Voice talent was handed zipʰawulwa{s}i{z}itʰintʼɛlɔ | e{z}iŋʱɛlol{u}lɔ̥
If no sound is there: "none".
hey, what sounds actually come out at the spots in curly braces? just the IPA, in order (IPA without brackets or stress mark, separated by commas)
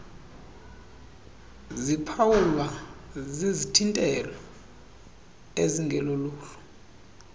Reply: z, z, z, uː